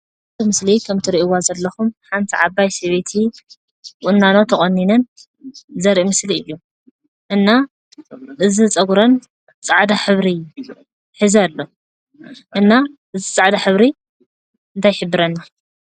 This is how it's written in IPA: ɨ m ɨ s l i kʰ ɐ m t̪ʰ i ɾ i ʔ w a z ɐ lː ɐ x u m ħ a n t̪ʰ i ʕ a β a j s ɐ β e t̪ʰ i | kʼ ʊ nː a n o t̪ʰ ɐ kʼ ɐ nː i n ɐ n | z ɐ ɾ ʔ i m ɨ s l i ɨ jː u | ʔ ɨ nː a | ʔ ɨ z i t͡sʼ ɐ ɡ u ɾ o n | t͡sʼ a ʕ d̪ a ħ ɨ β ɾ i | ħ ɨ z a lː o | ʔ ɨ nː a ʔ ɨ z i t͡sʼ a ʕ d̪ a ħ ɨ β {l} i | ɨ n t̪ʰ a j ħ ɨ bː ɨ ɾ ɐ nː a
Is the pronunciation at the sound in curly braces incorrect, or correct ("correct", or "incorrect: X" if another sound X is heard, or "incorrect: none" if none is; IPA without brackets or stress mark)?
incorrect: ɾ